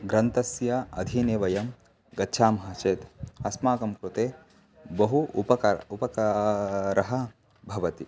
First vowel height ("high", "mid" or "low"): low